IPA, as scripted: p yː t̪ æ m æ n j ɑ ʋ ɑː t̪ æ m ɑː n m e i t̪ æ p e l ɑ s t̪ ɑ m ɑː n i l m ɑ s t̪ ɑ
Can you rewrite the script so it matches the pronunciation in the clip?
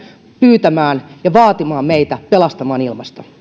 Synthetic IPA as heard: p yː t̪ æ m æː n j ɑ ʋ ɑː t̪ i m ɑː m m e i t̪ æ p e l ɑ s t̪ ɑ m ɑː n i l m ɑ s t̪ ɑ